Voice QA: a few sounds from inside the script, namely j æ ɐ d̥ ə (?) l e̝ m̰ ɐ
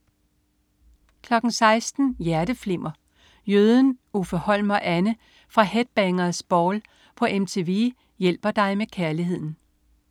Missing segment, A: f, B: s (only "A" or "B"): A